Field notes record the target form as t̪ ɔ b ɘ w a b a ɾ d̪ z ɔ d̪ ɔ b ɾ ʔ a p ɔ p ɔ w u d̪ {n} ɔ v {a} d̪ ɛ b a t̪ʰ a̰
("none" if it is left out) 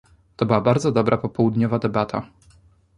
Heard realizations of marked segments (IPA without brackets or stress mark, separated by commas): ɲ, a